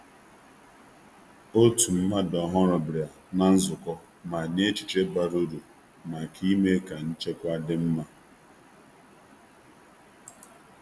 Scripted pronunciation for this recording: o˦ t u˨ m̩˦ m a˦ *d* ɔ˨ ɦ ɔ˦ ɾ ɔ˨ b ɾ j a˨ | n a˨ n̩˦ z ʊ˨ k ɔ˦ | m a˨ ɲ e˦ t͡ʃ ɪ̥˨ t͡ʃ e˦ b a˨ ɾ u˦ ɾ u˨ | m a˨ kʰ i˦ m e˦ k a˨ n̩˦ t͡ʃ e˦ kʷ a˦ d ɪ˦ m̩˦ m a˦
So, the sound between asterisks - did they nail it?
yes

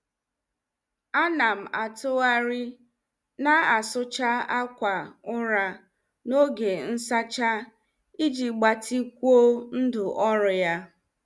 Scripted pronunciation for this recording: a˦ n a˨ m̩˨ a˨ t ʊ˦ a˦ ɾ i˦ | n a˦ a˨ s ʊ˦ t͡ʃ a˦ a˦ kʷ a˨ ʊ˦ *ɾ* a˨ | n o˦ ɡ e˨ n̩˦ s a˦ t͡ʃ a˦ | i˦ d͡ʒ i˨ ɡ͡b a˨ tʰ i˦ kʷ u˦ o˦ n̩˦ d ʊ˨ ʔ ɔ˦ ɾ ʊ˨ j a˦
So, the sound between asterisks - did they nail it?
yes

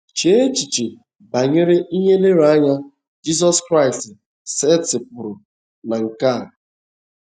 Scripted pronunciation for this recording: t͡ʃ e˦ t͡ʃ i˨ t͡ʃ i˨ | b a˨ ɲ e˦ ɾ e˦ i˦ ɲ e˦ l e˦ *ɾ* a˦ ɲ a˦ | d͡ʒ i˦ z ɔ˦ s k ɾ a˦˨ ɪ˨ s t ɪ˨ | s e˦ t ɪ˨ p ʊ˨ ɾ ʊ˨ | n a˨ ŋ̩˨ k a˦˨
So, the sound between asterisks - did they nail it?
yes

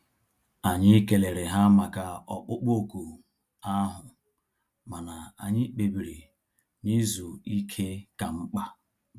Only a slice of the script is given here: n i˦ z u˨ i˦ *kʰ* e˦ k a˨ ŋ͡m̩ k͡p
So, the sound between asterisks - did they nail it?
yes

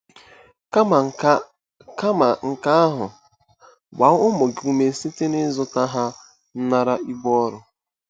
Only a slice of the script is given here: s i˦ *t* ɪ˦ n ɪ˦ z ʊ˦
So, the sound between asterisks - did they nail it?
yes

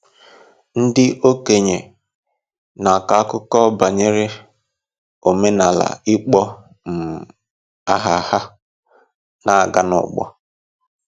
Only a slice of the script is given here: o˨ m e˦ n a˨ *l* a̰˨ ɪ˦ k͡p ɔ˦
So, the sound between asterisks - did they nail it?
yes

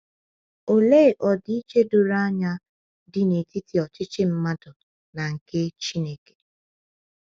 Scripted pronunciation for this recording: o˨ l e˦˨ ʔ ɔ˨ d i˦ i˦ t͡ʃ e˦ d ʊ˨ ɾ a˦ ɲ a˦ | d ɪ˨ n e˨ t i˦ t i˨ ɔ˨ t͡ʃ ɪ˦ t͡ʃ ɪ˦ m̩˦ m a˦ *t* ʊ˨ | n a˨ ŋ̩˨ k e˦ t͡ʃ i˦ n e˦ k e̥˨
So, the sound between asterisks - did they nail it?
no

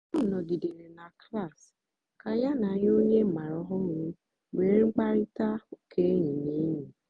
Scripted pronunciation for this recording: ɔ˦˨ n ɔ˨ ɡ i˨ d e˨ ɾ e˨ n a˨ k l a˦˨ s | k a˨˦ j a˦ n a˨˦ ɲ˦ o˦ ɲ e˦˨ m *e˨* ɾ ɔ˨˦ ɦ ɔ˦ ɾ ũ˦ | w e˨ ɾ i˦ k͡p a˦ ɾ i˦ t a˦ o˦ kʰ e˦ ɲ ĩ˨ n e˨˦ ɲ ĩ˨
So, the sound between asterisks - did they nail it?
no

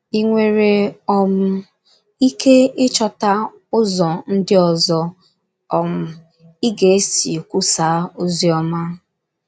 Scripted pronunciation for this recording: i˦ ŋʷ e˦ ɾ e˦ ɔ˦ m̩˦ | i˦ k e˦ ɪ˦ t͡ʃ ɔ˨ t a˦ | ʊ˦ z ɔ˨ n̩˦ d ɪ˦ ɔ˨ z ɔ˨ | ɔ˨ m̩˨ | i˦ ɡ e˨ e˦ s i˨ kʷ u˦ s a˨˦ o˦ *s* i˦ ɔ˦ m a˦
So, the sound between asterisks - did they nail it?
no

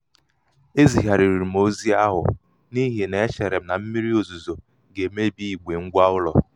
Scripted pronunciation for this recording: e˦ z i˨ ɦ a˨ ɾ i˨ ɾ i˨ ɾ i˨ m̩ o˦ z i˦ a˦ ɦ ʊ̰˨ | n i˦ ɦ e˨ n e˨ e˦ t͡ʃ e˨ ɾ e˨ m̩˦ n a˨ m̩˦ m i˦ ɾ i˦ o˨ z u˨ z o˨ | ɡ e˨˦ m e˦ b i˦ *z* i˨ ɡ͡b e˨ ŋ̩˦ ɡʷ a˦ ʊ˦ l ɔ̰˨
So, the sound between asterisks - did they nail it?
no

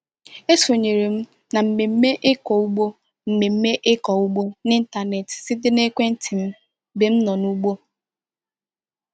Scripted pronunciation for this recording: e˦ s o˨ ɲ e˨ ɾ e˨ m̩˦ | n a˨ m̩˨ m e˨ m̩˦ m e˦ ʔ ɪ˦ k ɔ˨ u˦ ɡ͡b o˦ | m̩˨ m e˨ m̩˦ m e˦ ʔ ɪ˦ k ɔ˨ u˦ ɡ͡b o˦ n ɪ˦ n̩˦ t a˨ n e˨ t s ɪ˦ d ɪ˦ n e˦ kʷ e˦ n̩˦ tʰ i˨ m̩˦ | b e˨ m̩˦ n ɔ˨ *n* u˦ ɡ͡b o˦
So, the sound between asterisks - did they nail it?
yes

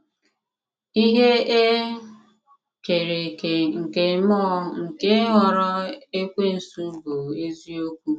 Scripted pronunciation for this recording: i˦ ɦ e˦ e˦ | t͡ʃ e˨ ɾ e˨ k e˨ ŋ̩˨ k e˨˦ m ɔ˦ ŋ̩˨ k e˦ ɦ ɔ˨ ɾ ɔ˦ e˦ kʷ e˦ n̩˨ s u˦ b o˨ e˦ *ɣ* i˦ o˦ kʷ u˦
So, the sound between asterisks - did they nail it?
no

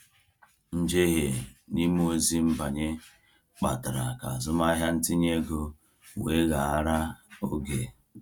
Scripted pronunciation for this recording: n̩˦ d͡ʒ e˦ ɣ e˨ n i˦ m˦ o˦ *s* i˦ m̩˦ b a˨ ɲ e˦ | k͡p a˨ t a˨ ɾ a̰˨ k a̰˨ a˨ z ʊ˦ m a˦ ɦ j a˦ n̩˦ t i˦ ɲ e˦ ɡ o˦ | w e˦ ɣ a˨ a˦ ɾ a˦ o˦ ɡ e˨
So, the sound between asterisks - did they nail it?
no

